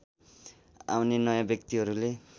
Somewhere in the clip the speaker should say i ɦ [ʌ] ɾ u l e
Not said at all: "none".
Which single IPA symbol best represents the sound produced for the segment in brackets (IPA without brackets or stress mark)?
ʌ